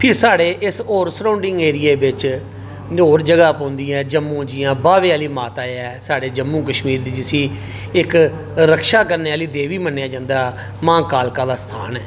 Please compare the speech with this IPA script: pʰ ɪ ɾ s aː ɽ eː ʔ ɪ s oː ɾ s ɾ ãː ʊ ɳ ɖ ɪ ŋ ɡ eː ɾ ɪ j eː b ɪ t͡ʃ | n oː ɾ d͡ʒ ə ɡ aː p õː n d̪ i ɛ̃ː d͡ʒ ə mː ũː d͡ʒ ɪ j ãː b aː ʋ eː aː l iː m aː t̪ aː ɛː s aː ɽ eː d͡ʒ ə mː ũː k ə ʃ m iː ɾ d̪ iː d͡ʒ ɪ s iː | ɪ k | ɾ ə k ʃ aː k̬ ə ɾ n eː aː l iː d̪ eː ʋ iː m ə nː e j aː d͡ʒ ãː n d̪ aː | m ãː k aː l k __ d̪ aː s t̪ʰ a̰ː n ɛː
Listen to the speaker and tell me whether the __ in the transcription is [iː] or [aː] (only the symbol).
aː